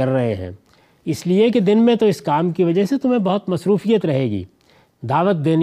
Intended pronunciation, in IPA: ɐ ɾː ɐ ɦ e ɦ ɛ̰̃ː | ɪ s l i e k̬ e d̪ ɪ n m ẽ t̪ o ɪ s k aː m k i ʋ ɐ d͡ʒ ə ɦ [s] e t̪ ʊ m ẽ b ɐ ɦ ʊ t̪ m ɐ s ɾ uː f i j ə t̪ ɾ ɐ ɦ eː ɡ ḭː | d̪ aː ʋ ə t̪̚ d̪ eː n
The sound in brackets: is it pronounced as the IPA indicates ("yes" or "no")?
yes